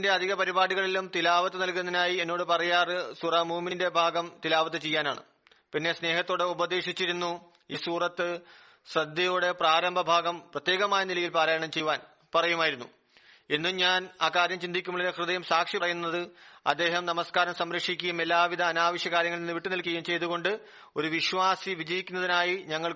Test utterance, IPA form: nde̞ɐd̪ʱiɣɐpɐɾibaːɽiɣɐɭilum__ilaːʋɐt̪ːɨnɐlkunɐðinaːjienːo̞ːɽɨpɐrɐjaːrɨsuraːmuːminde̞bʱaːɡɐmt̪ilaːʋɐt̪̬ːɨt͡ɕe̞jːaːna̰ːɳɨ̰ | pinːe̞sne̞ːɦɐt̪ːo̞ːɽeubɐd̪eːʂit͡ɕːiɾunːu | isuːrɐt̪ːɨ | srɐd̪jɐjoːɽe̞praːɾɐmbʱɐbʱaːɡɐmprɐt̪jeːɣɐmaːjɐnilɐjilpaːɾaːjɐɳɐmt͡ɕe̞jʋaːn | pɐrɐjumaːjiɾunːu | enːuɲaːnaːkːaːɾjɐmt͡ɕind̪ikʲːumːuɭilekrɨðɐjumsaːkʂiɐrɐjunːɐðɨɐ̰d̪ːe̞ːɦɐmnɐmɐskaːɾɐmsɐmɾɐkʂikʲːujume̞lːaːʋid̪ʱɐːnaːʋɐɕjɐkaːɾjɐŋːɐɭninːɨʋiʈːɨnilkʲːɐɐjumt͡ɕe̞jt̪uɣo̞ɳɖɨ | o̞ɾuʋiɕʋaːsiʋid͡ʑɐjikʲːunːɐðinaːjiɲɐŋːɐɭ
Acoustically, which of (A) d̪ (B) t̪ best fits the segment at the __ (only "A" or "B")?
B